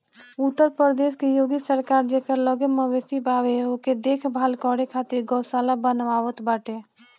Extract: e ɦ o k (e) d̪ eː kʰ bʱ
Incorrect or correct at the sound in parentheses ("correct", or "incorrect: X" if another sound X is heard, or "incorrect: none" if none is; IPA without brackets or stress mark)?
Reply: correct